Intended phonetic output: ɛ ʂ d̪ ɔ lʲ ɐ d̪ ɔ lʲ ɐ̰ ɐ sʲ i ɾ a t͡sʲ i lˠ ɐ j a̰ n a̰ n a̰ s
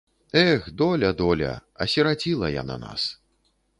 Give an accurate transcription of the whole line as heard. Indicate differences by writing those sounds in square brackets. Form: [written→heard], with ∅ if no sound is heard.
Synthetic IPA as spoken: ɛ [ʂ→x] d̪ ɔ lʲ ɐ d̪ ɔ lʲ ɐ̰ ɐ sʲ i ɾ a t͡sʲ i lˠ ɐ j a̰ n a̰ n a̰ s